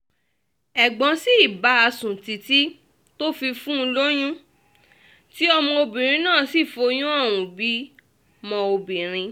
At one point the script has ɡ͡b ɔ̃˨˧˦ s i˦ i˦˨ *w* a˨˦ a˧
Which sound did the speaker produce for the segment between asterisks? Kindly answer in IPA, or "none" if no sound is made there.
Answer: b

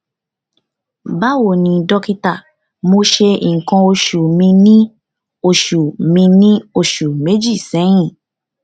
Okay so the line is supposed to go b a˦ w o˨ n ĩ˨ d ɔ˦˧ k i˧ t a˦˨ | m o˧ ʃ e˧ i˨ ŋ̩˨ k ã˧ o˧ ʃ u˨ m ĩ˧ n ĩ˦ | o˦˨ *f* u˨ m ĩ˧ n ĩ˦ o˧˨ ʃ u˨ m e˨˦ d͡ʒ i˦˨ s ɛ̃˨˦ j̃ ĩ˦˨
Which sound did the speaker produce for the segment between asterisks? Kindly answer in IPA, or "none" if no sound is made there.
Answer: ʃ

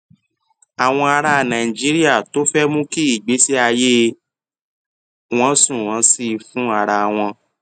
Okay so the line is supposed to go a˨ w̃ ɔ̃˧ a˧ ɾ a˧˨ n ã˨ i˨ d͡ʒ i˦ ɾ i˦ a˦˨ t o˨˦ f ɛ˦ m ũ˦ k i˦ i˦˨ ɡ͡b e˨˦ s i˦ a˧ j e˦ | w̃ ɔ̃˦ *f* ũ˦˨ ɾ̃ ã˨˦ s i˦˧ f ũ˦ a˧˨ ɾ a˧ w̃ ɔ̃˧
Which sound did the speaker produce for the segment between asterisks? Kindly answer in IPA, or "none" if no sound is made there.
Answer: s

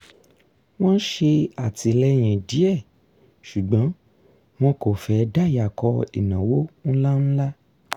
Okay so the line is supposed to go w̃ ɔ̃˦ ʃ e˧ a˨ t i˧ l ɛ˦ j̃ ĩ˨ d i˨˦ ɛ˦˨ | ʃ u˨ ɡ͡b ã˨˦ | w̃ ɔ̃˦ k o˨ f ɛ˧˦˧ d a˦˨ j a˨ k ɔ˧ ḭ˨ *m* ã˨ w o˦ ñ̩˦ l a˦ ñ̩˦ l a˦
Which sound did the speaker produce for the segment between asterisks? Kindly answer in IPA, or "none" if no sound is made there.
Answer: n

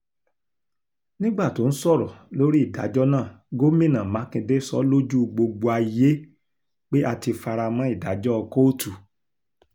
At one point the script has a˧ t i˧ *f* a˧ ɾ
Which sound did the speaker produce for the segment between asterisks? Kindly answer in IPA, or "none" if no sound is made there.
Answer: f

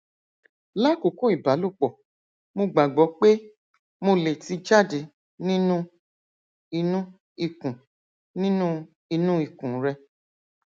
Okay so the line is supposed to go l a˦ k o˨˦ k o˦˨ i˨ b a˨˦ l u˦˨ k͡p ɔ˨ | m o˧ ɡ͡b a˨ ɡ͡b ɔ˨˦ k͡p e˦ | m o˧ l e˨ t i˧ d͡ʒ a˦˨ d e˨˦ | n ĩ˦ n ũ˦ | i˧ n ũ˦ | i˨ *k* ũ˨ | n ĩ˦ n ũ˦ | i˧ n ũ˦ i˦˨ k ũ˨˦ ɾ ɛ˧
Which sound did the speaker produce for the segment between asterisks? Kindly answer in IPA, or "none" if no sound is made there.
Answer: k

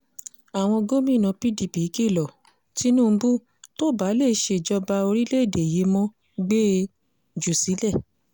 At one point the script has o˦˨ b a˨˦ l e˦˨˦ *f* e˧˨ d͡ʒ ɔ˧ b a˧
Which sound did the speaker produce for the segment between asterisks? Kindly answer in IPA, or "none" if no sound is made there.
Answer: ʃ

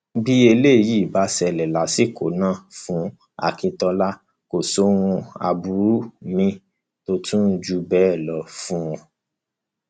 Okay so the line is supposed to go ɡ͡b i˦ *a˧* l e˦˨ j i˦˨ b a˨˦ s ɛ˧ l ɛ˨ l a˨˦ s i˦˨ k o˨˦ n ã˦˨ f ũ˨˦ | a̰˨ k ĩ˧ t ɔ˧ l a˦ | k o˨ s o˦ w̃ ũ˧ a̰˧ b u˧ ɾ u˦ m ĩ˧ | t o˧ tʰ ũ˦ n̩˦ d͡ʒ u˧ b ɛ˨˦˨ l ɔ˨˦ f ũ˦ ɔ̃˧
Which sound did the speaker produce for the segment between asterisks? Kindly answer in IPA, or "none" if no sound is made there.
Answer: e˧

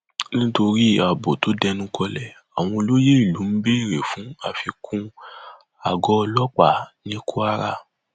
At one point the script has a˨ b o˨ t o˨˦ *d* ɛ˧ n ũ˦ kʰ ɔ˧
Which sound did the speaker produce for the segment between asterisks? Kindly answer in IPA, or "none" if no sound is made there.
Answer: d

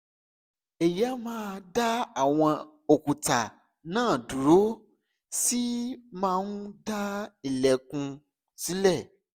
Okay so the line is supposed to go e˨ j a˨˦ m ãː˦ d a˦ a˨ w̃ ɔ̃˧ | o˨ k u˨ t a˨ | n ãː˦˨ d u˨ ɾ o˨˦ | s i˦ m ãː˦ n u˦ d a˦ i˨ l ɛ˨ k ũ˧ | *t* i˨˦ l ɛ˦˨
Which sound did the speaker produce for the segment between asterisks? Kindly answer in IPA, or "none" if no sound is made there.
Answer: s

